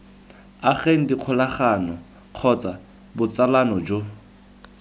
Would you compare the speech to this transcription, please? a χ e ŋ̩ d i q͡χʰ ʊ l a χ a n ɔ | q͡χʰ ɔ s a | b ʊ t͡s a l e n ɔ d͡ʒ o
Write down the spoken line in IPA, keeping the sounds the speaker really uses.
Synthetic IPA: a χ e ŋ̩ d i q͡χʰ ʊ l a χ a n ɔ | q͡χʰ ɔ t͡s a | b ʊ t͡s a l a n ɔ d͡ʒ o